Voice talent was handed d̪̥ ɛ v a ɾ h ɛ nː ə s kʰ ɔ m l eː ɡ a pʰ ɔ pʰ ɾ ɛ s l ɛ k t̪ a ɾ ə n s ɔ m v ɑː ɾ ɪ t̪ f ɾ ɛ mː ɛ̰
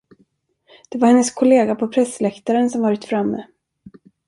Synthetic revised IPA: d̪̥ ɛ v a ɾ h ɛ nː ə s kʰ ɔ l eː ɡ a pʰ ɔ pʰ ɾ ɛ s l ɛ k t̪ a ɾ ə n s ɔ m v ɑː ɾ ɪ t̪ f ɾ a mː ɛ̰